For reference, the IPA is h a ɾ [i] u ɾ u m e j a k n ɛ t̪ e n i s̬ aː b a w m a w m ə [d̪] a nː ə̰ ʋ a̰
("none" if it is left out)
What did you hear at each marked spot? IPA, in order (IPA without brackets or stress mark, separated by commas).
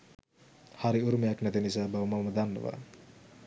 i, d̪